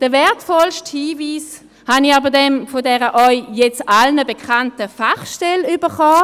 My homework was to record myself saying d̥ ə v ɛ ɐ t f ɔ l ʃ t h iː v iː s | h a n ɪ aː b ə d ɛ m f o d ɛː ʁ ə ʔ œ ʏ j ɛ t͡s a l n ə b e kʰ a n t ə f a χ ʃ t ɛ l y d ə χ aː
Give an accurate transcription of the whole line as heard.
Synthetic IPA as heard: d̥ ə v ɛ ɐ t f ɔ l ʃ t h iː v iː s | h a n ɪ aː b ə d ɛ m f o d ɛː ʁ ə ʔ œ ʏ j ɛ t͡s a l n ə b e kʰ a n t ə f a χ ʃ t ɛ l y b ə χ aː